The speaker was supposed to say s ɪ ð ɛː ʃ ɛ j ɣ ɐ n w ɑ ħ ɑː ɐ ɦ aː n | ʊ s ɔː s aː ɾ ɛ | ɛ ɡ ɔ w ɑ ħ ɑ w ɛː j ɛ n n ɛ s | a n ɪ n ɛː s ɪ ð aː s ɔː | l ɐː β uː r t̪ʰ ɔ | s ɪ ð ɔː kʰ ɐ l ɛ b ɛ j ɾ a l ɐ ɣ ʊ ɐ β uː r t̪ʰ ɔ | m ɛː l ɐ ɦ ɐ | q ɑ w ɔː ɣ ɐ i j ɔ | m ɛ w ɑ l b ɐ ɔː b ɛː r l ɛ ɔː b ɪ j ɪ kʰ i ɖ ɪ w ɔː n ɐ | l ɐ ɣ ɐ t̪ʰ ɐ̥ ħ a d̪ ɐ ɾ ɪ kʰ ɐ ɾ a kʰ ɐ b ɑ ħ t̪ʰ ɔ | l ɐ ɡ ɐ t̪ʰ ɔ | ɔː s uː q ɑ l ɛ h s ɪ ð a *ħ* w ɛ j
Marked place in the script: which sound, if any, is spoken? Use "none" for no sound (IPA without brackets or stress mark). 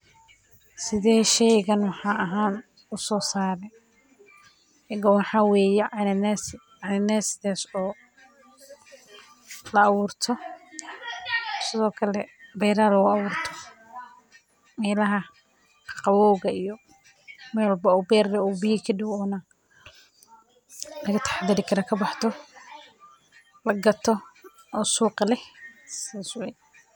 s